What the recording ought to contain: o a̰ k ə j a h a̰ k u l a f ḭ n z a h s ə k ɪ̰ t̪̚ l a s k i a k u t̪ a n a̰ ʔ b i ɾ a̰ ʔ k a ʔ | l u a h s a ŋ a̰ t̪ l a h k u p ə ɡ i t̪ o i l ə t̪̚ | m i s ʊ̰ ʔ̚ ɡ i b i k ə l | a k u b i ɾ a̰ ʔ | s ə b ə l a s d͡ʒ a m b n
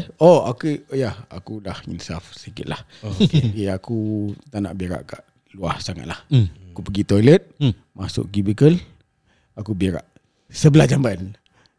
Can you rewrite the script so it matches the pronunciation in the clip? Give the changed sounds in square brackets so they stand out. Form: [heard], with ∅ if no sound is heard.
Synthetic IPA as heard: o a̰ k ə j a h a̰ k u l a [h] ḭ n [s] a [f] s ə k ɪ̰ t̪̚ l a [h] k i a k u t̪ a n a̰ ʔ b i ɾ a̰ ʔ k a ʔ | l u a h s a ŋ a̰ t̪ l a h k u p ə ɡ i t̪ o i l ə t̪̚ | m [a] s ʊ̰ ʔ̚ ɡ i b i k ə l | a k u b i ɾ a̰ ʔ | s ə b ə l a [h] d͡ʒ a m b n